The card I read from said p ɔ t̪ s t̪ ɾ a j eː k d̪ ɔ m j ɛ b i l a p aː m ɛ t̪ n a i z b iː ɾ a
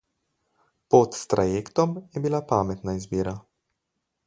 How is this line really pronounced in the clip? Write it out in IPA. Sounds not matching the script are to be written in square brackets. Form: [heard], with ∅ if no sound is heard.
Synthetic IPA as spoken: p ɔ t̪ s t̪ ɾ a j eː k [t̪] ɔ m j ɛ b i l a p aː m ɛ t̪ n a i z b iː ɾ a